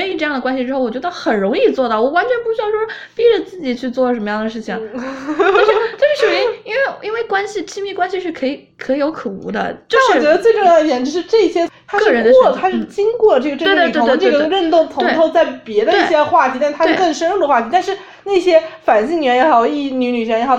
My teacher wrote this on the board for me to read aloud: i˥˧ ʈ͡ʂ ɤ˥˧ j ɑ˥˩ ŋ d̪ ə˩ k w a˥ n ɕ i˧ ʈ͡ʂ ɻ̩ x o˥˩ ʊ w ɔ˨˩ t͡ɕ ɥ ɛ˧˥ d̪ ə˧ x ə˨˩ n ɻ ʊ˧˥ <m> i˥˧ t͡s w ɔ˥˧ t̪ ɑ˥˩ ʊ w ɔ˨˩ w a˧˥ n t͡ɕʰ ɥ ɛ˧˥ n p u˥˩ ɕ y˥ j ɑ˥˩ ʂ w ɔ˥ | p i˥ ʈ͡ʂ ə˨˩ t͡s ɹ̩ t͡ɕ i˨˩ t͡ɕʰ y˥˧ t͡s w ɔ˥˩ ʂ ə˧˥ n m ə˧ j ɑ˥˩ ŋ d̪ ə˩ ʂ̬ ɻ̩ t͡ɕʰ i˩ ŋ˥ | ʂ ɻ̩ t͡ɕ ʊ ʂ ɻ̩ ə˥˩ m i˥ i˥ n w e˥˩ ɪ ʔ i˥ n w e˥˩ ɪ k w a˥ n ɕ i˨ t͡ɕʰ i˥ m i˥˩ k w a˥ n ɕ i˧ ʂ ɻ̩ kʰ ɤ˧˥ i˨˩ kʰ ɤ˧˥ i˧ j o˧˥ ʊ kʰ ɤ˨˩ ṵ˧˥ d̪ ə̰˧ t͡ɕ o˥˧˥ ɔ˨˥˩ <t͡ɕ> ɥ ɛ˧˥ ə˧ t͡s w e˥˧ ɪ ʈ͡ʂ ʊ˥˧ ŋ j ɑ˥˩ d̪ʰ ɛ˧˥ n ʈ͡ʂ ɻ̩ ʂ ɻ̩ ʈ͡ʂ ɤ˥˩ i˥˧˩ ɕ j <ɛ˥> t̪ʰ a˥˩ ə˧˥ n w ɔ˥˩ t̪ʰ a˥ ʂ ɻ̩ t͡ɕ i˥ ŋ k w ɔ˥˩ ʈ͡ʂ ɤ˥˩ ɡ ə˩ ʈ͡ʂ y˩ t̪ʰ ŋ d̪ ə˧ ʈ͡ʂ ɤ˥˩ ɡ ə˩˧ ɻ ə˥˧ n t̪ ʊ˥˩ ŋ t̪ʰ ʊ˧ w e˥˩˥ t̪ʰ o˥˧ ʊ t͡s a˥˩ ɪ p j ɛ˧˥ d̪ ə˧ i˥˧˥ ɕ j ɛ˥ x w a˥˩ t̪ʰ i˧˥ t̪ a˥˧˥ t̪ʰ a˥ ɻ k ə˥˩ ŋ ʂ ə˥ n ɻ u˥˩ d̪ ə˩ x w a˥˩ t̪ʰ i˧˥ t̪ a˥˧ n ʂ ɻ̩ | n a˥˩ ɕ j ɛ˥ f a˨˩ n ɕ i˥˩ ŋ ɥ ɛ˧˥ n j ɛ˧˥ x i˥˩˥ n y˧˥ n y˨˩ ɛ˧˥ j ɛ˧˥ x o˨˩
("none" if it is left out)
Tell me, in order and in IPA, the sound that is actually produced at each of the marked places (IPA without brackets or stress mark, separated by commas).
ŋ, t͡ɕ, ɛ˥